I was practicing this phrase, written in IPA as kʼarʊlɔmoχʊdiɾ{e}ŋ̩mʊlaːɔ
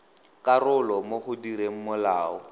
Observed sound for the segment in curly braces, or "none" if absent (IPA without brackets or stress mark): e